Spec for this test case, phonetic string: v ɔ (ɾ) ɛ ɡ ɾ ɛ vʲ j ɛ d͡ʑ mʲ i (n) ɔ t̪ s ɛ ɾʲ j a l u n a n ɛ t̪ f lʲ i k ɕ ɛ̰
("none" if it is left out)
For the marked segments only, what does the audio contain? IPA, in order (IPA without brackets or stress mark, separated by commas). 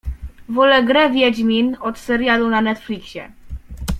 l, n